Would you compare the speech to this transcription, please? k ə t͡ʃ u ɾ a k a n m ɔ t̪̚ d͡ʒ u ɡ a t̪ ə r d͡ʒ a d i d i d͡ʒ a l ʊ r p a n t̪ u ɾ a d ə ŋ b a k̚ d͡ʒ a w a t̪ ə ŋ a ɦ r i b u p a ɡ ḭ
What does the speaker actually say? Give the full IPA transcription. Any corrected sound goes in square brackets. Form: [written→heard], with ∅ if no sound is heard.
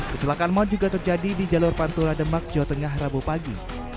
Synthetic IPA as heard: k ə t͡ʃ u [ɾ→l] a k a n m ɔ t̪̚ d͡ʒ u ɡ a t̪ ə r d͡ʒ a d i d i d͡ʒ a l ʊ r p a n t̪ u ɾ a d ə [ŋ→m] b a k̚ d͡ʒ a w a t̪ ə ŋ a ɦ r [i→a] b u p a ɡ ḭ

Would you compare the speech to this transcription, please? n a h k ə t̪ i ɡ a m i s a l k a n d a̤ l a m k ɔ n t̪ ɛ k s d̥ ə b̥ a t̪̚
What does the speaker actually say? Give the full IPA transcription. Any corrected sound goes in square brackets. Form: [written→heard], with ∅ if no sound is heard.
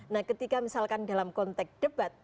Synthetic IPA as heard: n a h k ə t̪ i [ɡ→k] a m i s a l k a n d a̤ l a m k ɔ n t̪ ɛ k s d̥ ə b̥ a t̪̚

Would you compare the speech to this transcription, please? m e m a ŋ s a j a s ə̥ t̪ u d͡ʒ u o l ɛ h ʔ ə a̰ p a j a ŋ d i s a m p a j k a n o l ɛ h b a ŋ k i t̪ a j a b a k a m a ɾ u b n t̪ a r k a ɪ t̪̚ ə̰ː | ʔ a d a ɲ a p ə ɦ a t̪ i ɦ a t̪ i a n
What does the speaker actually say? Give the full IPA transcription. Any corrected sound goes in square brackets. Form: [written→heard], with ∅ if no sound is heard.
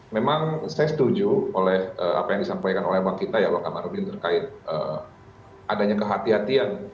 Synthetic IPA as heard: m e m a ŋ s a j a s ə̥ t̪ u d͡ʒ u o l ɛ h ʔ ə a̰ p a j a ŋ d i s a m p a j k a n o l ɛ h b a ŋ k i t̪ a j a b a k a m a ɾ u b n t̪ [a→ə] r k a ɪ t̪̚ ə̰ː | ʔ a d a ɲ a [p→k] ə ɦ a t̪ i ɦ a t̪ i a n

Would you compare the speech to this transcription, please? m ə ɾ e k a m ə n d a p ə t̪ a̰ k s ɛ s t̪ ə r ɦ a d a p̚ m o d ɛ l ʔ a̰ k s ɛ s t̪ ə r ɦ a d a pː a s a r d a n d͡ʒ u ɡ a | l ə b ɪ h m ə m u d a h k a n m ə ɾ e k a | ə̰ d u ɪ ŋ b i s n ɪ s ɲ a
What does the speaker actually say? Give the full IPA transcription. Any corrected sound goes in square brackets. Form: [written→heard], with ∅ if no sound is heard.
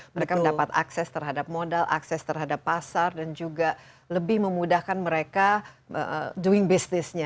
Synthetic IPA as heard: m ə ɾ e k a m ə n d a p [ə→a] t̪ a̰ k s ɛ s t̪ ə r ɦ a d a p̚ m o d [ɛ→a] l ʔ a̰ k s ɛ s t̪ ə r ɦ a d a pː a s a r d a n d͡ʒ u ɡ a | l ə b ɪ h m ə m u d a h k a n m ə ɾ e k a | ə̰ d u ɪ ŋ b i s n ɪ s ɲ a

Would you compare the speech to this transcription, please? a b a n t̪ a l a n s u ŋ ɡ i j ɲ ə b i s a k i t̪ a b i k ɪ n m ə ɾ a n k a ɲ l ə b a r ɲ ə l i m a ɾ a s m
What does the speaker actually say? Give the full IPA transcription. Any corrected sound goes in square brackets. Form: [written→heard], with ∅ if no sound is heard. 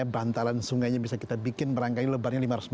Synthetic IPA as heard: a b a n t̪ a l a n s u ŋ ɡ [i→a] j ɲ [ə→a] b i s a k i t̪ a b i k ɪ n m ə ɾ a [n→ŋ] k a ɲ l ə b a r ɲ [ə→a] l i m a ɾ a s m

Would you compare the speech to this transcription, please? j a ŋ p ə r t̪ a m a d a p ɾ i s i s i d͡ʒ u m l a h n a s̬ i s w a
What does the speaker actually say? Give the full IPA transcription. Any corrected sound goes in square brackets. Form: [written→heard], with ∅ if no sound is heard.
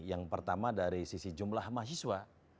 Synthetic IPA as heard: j a ŋ p ə r t̪ a m a d a [p→∅] ɾ i s i s i d͡ʒ u m l a h [n→m] a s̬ i s w a

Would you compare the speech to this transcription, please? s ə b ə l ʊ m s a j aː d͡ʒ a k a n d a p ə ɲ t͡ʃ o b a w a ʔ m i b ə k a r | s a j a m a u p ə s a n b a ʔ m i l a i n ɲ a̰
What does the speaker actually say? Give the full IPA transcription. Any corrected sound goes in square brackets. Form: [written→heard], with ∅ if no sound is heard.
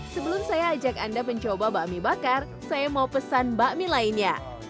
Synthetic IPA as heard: s ə b ə l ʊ m s a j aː d͡ʒ a k a n d a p ə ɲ t͡ʃ o b a [w→b] a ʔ m i b [ə→a] k a r | s a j a m a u p ə s a n b a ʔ m i l a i n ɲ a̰

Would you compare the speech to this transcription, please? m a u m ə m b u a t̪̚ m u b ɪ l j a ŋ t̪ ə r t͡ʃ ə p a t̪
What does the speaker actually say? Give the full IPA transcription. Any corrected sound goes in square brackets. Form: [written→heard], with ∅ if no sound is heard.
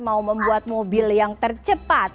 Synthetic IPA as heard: m a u m ə m b u a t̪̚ m [u→o] b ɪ l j a ŋ t̪ ə r t͡ʃ ə p a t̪

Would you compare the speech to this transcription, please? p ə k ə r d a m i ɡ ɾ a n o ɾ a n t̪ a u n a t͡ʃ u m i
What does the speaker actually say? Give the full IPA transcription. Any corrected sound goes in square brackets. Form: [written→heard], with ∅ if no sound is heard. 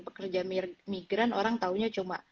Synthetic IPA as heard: p ə k ə r [d→d͡ʒ] a m i ɡ ɾ a n o ɾ a [n→ŋ] t̪ a u [n→ɲ] a t͡ʃ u m [i→a]

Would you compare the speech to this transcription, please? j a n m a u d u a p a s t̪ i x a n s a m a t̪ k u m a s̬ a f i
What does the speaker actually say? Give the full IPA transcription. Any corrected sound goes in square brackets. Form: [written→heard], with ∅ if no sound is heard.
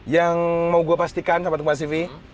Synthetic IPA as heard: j a [n→ŋ] m a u [d→ɡ] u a p a s t̪ i [x→k] a n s a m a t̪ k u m a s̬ [a→i] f i

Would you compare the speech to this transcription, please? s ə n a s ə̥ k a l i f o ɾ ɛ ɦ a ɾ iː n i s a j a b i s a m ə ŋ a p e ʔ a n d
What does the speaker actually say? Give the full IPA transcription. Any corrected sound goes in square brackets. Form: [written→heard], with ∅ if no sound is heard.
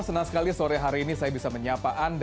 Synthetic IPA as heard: s ə n a s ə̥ k a l i [f→s] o ɾ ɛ ɦ a ɾ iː n i s a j a b i s a m ə [ŋ→ɲ] a p [e→a] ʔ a n d

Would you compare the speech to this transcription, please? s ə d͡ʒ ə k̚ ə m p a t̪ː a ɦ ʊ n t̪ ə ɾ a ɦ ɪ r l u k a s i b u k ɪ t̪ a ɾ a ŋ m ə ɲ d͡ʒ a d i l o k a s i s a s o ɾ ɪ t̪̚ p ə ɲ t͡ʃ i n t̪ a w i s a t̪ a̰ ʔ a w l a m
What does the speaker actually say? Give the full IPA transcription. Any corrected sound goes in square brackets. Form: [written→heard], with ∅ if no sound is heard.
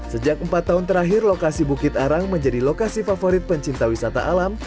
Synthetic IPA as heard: s ə d͡ʒ [ə→a] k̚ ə m p a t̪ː a ɦ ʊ n t̪ ə ɾ a ɦ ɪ r l [u→o] k a s i b u k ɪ t̪ a ɾ a ŋ m ə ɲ d͡ʒ a d i l o k a s i [s→f] a [s→f] o ɾ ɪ t̪̚ p ə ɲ t͡ʃ i n t̪ a w i s a t̪ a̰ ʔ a [w→∅] l a m

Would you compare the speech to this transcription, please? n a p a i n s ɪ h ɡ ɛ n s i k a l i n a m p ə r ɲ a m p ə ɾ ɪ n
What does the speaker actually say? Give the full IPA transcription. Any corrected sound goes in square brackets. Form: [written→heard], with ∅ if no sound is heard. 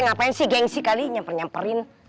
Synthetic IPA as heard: [n→ŋ] a p a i n s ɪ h ɡ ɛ [n→ŋ] s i k a l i [n→ɲ] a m p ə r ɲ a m p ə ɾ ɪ n

